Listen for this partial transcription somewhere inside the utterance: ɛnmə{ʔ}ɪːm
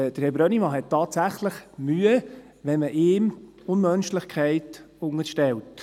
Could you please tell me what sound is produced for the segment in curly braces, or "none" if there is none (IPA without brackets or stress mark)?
ʔ